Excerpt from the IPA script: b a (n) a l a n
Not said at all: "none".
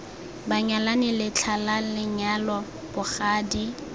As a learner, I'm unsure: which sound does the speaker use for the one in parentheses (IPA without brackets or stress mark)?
ɲ